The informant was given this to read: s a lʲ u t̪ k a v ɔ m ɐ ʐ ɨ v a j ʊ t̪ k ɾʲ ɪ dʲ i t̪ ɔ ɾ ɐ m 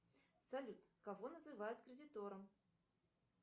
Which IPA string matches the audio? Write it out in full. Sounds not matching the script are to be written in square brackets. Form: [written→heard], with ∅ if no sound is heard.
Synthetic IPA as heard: s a lʲ u t̪ k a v ɔ [m→n] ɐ [ʐ→z] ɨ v a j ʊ t̪ k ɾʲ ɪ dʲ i t̪ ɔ ɾ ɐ m